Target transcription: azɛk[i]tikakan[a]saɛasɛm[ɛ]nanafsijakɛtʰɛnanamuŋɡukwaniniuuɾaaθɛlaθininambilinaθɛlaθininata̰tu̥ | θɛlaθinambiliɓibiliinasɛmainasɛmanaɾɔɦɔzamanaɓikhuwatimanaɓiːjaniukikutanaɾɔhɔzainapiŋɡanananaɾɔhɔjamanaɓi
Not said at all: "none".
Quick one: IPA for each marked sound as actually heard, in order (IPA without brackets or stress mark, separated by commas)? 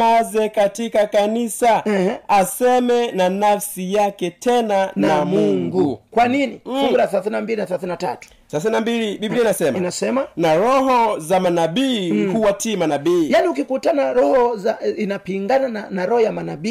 a, i, ɛ